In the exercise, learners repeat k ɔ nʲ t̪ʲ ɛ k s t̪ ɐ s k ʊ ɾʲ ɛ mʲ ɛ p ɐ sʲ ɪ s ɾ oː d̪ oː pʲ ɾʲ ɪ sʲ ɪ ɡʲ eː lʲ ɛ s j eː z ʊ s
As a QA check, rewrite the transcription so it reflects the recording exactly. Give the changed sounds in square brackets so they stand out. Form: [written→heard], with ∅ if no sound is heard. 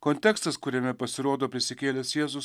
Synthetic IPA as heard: k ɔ nʲ t̪ʲ ɛ k s t̪ ɐ s k ʊ ɾʲ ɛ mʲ ɛ p ɐ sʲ ɪ [s→∅] ɾ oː d̪ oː pʲ ɾʲ ɪ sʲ ɪ [ɡʲ→kʲ] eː lʲ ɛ s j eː z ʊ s